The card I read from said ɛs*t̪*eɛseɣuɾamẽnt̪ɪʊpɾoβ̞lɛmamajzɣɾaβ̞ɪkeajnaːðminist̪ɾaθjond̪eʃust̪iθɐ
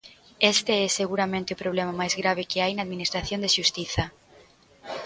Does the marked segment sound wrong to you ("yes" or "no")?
no